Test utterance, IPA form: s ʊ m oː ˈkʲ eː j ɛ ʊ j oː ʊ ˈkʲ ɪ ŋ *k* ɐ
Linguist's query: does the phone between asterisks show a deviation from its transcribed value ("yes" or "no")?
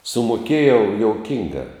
yes